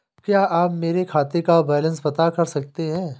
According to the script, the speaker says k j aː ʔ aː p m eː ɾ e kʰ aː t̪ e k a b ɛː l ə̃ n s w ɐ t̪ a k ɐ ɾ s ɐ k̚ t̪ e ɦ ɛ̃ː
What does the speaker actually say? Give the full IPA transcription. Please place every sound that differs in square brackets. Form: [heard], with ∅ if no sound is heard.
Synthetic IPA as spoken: k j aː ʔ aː p m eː ɾ e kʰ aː t̪ e k a b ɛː l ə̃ n s [b] ɐ t̪ a k ɐ ɾ s ɐ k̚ t̪ e ɦ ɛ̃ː